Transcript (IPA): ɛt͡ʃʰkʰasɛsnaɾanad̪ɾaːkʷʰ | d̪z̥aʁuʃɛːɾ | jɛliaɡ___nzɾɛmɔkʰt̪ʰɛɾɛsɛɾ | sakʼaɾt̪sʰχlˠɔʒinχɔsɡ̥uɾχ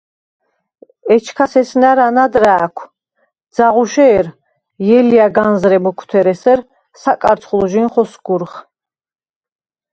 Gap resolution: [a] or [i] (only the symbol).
a